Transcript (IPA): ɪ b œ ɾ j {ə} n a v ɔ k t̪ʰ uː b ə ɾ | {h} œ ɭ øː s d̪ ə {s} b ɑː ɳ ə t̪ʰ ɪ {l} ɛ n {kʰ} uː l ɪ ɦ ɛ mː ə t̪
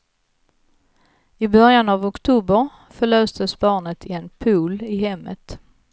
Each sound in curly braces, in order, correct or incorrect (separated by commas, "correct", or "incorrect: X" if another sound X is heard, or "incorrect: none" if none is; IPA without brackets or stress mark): incorrect: a, incorrect: f, correct, incorrect: none, incorrect: pʰ